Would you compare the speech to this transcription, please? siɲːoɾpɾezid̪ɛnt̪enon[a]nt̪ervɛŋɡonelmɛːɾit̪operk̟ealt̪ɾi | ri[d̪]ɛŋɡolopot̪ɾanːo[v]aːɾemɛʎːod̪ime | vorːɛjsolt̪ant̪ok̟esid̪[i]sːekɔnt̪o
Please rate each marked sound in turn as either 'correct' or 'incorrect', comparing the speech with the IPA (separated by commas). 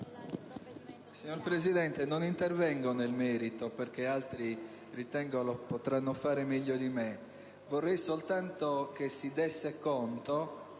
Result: incorrect, incorrect, incorrect, incorrect